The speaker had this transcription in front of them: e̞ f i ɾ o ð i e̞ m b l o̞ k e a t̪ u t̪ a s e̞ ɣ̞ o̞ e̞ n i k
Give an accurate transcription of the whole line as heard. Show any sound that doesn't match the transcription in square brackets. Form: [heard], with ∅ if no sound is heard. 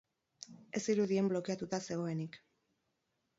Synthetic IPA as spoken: e̞ [s] i ɾ [u] ð i e̞ m b l o̞ k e a t̪ u t̪ a s e̞ ɣ̞ o̞ e̞ n i k